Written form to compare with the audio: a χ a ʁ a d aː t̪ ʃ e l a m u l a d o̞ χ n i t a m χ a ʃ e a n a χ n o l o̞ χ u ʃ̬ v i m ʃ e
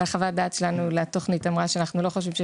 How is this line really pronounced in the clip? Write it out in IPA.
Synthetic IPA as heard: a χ a v a d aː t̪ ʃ e l a n u l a t o̞ χ n i t a m ʁ a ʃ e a n a χ n u l o̞ χ o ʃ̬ v i m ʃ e